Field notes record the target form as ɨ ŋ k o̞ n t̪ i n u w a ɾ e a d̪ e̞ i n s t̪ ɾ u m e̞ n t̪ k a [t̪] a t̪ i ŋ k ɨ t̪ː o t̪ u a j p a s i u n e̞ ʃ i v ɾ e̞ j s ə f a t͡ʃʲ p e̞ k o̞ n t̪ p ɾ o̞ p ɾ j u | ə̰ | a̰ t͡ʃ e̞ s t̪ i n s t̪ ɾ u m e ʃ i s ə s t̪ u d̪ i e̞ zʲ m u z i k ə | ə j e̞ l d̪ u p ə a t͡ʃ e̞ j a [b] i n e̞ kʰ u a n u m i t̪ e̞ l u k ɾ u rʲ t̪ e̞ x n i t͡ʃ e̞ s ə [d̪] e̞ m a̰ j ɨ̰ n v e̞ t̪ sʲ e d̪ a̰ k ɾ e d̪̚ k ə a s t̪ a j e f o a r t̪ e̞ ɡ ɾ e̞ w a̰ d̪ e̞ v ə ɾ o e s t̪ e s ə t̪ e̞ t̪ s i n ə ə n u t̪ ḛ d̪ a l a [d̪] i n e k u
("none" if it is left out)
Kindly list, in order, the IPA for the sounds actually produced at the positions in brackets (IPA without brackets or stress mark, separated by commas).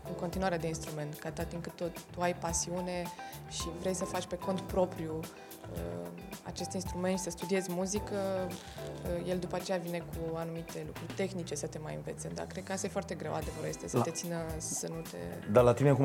t̪, v, t̪, t̪